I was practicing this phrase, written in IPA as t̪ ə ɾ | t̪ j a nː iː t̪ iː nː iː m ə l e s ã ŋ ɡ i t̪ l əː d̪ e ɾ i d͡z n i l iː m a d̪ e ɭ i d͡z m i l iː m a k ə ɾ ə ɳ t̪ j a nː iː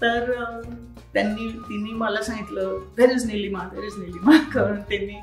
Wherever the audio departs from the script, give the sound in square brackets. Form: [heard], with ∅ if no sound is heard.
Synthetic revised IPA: t̪ ə ɾ | t̪ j a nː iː t̪ [i] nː iː m ə l [a] s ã ŋ ɡ i t̪ l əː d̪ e ɾ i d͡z n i l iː m a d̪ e [ɾ] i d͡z [n] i l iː m a k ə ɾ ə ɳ t̪ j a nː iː